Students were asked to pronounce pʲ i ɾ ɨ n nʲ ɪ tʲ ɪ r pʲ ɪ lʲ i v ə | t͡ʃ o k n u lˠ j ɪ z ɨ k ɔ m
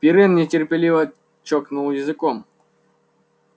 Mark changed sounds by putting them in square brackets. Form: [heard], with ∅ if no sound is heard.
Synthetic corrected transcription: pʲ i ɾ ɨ n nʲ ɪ tʲ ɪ r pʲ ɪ lʲ i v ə | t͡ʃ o k n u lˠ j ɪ z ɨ k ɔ m